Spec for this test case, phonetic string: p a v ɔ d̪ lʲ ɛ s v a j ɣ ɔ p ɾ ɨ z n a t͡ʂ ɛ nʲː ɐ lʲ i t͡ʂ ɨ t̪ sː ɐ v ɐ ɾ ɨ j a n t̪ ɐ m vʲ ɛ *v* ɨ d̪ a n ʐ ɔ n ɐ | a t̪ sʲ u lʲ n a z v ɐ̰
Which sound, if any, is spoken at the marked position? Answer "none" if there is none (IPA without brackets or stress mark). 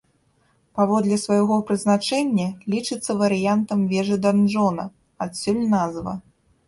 ʐ